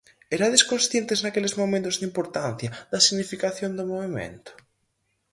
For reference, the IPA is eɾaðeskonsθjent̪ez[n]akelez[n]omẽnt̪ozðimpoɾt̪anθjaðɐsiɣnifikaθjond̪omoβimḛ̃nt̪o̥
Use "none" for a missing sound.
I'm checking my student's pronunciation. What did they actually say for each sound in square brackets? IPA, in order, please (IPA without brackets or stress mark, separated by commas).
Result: n, m